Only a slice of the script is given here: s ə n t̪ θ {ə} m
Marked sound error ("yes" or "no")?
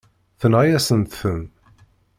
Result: no